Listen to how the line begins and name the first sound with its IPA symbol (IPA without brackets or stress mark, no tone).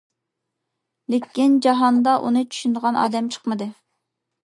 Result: l